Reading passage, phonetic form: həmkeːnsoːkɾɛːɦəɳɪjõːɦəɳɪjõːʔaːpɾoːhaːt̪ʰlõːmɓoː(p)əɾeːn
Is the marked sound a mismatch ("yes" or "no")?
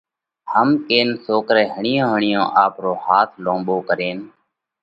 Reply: yes